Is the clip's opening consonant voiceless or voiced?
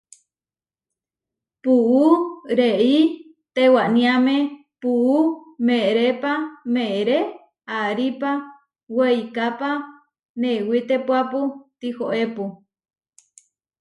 voiceless